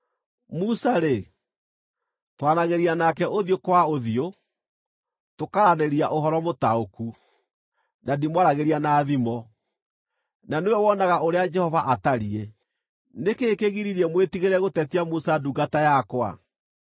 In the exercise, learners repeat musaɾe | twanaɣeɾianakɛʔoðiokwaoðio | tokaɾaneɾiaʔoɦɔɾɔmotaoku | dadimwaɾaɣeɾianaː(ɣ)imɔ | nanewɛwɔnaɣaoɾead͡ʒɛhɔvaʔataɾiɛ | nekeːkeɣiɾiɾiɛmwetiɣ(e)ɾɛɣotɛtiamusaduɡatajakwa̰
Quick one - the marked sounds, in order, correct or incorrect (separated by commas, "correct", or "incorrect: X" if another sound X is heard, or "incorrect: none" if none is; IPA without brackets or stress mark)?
incorrect: ð, correct